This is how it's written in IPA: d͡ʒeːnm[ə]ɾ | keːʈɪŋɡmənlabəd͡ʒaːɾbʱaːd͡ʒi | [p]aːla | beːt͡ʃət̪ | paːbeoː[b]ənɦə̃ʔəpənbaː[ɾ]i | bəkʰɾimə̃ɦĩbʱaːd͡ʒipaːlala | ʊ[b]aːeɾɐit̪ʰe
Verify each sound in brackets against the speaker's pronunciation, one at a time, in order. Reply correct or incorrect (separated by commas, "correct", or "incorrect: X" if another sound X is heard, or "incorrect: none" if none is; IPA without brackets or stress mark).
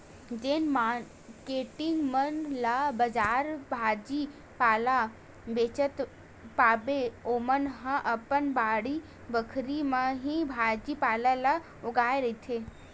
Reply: incorrect: a, correct, incorrect: m, incorrect: ɽ, incorrect: ɡ